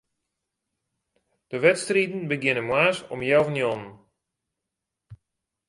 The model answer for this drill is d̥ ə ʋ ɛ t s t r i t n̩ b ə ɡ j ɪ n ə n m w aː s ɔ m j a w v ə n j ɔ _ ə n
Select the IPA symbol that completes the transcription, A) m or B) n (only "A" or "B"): B